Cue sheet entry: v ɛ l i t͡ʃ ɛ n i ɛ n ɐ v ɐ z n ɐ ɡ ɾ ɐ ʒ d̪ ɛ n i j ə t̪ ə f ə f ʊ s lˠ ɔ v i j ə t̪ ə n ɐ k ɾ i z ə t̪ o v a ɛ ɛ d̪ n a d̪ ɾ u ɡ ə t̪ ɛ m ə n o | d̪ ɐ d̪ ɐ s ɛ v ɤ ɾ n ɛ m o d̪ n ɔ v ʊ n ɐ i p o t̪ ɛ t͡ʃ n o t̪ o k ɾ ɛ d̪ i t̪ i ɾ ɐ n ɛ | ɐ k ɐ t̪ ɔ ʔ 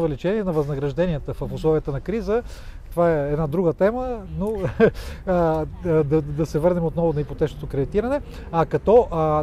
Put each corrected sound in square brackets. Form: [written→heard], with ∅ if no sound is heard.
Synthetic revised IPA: v ɛ l i t͡ʃ ɛ n i ɛ n ɐ v ɐ z n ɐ ɡ ɾ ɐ ʒ d̪ ɛ n i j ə t̪ ə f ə f ʊ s lˠ ɔ v i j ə t̪ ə n ɐ k ɾ i z ə t̪ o v a ɛ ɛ d̪ n a d̪ ɾ u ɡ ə t̪ ɛ m ə n o | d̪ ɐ d̪ ɐ s ɛ v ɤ ɾ n ɛ m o [d̪→t̪] n ɔ v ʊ n ɐ i p o t̪ ɛ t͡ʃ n o t̪ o k ɾ ɛ d̪ i t̪ i ɾ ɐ n ɛ | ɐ k ɐ t̪ ɔ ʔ